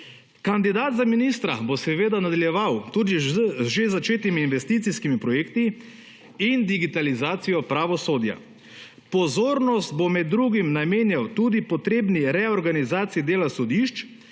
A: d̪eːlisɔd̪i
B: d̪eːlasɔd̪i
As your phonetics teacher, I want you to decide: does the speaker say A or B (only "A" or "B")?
B